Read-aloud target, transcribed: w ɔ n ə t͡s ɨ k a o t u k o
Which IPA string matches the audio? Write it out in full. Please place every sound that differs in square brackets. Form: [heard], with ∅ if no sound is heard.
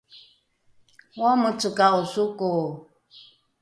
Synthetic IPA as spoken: w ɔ [m] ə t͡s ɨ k a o [s] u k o